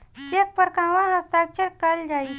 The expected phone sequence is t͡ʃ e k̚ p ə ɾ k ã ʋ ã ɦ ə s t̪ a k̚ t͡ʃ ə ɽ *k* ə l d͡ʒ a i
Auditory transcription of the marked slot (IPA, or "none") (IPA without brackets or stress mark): k